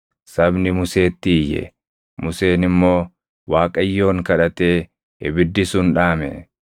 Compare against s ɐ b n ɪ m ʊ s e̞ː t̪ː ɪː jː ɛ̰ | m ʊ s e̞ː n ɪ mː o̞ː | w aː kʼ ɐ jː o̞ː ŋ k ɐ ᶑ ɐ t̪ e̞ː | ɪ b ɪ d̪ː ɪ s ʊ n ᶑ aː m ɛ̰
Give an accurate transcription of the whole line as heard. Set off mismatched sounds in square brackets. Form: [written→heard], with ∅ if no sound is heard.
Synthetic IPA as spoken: s ɐ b n ɪ m ʊ s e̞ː t̪ː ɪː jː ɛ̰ | m ʊ s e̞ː n ɪ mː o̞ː | w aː kʼ ɐ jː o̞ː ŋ k ɐ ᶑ ɐ t̪ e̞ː | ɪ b ɪ d̪ː ɪ s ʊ n ᶑ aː m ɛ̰

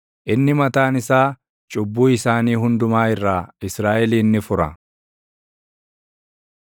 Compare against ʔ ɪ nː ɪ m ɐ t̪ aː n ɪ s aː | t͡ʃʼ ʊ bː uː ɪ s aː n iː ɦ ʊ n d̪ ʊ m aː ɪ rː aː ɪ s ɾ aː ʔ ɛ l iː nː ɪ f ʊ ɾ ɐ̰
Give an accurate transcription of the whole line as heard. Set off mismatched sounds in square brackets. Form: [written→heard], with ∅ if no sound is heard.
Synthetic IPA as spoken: ʔ ɪ nː ɪ m ɐ t̪ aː n ɪ s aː | t͡ʃʼ ʊ bː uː ɪ s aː n iː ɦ ʊ n d̪ ʊ m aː ɪ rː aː ɪ s ɾ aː ʔ ɛ l iː nː ɪ f ʊ ɾ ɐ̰

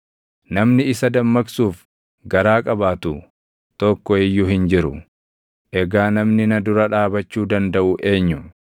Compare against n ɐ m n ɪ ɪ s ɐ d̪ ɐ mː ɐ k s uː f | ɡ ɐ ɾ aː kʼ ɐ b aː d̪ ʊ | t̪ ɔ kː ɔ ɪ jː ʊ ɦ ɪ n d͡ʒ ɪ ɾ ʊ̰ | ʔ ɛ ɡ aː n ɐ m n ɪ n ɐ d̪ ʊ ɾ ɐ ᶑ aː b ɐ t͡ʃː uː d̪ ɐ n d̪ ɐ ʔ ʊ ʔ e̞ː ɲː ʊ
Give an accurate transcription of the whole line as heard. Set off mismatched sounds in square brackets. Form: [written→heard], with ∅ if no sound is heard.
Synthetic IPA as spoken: n ɐ m n ɪ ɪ s ɐ d̪ ɐ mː ɐ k s uː f | ɡ ɐ ɾ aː kʼ ɐ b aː [d̪→t̪] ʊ | t̪ ɔ kː ɔ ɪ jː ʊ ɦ ɪ n d͡ʒ ɪ ɾ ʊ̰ | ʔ ɛ ɡ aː n ɐ m n ɪ n ɐ d̪ ʊ ɾ ɐ ᶑ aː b ɐ t͡ʃː uː d̪ ɐ n d̪ ɐ ʔ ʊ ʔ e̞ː ɲː ʊ

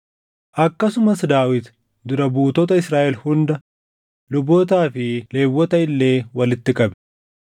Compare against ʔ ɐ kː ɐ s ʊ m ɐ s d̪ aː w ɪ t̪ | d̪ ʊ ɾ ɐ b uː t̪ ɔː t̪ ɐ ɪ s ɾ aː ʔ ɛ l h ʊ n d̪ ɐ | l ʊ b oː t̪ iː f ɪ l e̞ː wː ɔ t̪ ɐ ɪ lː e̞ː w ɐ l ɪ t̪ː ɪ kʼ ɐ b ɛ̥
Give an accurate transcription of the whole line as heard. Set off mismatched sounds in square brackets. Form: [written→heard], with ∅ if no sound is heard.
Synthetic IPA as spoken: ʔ ɐ kː ɐ s ʊ m ɐ s d̪ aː w ɪ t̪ | d̪ ʊ ɾ ɐ b uː t̪ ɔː t̪ ɐ ɪ s ɾ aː ʔ ɛ l h ʊ n d̪ ɐ | l ʊ b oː t̪ [iː→aː] f ɪ l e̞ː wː ɔ t̪ ɐ ɪ lː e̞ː w ɐ l ɪ t̪ː ɪ kʼ ɐ b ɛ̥

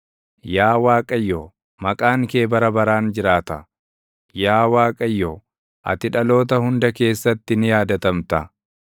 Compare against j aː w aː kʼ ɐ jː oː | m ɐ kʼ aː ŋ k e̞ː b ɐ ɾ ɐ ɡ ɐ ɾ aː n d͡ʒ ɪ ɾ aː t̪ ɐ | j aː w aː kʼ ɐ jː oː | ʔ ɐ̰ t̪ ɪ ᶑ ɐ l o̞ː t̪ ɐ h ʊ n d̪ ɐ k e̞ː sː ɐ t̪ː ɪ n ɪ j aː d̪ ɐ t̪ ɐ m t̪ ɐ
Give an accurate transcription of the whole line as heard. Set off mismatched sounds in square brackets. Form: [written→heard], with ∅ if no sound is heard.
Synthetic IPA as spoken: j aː w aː kʼ ɐ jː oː | m ɐ kʼ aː ŋ k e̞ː b ɐ ɾ ɐ [ɡ→b] ɐ ɾ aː n d͡ʒ ɪ ɾ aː t̪ ɐ | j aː w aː kʼ ɐ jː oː | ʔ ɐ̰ t̪ ɪ ᶑ ɐ l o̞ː t̪ ɐ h ʊ n d̪ ɐ k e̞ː sː ɐ t̪ː ɪ n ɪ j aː d̪ ɐ t̪ ɐ m t̪ ɐ

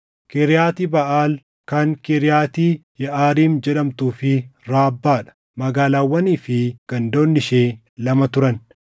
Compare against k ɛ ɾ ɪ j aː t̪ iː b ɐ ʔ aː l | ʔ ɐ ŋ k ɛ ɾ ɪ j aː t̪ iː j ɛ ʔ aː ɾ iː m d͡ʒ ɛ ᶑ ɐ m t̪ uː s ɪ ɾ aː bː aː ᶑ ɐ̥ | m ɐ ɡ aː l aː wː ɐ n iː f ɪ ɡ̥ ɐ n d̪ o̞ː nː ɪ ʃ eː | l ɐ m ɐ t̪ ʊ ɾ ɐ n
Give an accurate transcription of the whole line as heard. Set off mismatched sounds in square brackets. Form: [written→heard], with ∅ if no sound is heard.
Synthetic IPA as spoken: k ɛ ɾ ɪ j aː t̪ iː b ɐ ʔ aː l | [ʔ→k] ɐ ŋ k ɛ ɾ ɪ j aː t̪ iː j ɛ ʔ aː ɾ iː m d͡ʒ ɛ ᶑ ɐ m t̪ uː [s→f] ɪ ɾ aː bː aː ᶑ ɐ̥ | m ɐ ɡ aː l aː wː ɐ n iː f ɪ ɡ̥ ɐ n d̪ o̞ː nː ɪ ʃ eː | l ɐ m ɐ t̪ ʊ ɾ ɐ n

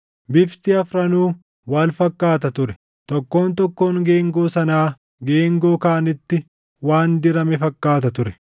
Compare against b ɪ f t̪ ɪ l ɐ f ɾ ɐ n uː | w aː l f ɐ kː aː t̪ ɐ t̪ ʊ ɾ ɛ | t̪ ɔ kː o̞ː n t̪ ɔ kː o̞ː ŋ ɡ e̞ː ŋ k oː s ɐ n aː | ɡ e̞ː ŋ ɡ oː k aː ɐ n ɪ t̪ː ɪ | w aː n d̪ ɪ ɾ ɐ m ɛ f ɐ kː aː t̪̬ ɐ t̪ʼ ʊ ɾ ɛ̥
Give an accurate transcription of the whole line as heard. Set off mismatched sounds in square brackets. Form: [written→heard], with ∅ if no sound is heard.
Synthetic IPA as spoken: b ɪ f t̪ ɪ [l→∅] ɐ f ɾ ɐ n uː | w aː l f ɐ kː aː t̪ ɐ t̪ ʊ ɾ ɛ | t̪ ɔ kː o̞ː n t̪ ɔ kː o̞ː ŋ ɡ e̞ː ŋ [k→ɡ] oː s ɐ n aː | ɡ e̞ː ŋ ɡ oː k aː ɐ n ɪ t̪ː ɪ | w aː n d̪ ɪ ɾ ɐ m ɛ f ɐ kː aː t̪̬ ɐ [t̪ʼ→t̪] ʊ ɾ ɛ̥

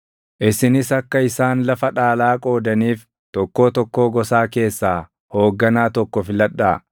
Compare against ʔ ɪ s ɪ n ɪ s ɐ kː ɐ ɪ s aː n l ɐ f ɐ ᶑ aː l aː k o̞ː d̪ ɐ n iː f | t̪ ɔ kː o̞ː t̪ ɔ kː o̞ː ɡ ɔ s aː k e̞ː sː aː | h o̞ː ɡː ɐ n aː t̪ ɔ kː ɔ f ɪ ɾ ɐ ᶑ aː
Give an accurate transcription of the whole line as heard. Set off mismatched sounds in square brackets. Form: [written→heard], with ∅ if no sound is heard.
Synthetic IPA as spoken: ʔ ɪ s ɪ n ɪ s ɐ kː ɐ ɪ s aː n l ɐ f ɐ ᶑ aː l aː [k→kʼ] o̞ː d̪ ɐ n iː f | t̪ ɔ kː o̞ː t̪ ɔ kː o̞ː ɡ ɔ s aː k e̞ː sː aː | h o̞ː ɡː ɐ n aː t̪ ɔ kː ɔ f ɪ [ɾ→l] ɐ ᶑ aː

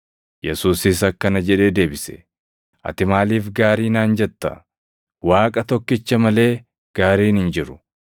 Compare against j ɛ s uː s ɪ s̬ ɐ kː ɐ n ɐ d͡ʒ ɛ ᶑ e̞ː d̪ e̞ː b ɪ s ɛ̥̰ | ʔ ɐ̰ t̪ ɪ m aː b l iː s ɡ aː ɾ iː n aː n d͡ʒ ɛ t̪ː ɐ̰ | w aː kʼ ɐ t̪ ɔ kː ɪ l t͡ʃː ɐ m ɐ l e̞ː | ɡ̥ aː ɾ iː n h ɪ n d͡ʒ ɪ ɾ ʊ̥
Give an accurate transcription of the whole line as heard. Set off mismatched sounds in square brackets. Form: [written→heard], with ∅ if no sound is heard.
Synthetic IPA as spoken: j ɛ s uː s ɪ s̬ ɐ kː ɐ n ɐ d͡ʒ ɛ ᶑ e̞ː d̪ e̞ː b ɪ s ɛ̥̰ | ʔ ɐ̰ t̪ ɪ m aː [b→∅] l iː [s→f] ɡ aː ɾ iː n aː n d͡ʒ ɛ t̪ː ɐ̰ | w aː kʼ ɐ t̪ ɔ kː ɪ [l→∅] t͡ʃː ɐ m ɐ l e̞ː | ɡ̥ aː ɾ iː n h ɪ n d͡ʒ ɪ ɾ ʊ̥

